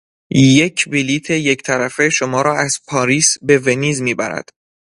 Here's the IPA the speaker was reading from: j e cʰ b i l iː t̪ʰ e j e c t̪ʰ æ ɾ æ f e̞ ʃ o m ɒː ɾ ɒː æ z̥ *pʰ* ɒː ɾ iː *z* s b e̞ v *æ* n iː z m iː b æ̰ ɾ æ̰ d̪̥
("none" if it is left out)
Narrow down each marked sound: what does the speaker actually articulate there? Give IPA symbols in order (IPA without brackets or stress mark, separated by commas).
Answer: pʰ, none, e